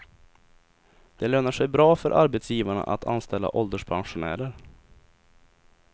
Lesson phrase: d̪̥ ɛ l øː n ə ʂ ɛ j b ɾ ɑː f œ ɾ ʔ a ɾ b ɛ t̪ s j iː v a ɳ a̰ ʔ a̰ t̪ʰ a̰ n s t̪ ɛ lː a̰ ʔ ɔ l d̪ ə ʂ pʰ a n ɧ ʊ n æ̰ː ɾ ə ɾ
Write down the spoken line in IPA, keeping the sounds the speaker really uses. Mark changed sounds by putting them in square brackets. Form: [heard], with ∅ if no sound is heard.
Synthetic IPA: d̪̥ ɛ l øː n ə ʂ ɛ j b ɾ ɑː f œ ɾ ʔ a ɾ b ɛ t̪ s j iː v a ɳ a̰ ʔ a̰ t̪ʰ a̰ n s t̪ ɛ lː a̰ ʔ ɔ l d̪ ə ʂ pʰ a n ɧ ʊ n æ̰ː ɾ ə ɾ